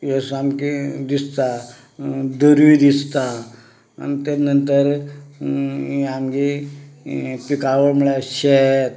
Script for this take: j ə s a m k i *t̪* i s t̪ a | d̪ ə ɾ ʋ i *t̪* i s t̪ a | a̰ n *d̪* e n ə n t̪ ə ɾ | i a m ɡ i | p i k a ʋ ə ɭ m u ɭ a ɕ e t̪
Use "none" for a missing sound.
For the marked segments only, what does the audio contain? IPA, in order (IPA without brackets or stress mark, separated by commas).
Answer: d̪, d̪, t̪